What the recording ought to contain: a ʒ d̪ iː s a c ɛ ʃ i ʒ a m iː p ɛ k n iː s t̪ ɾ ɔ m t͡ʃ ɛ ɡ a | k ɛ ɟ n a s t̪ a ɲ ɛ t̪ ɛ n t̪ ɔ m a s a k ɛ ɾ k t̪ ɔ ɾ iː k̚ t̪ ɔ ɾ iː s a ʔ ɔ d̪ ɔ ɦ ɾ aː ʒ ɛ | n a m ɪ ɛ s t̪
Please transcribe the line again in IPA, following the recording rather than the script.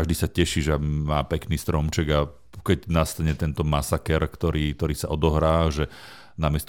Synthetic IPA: a ʒ d̪ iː s a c ɛ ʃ i ʒ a m aː p ɛ k n iː s t̪ ɾ ɔ m t͡ʃ ɛ ɡ a | k ɛ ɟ n a s t̪ a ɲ ɛ t̪ ɛ n t̪ ɔ m a s a k ɛ ɾ k t̪ ɔ ɾ iː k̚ t̪ ɔ ɾ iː s a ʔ ɔ d̪ ɔ ɦ ɾ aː ʒ ɛ | n a m ɪ ɛ s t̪